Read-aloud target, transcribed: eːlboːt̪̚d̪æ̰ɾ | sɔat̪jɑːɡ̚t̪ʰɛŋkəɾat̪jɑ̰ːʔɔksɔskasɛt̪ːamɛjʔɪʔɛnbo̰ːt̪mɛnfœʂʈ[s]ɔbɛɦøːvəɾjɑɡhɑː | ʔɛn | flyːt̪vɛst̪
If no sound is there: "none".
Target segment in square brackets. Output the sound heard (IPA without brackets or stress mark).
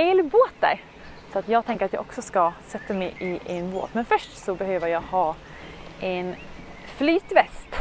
s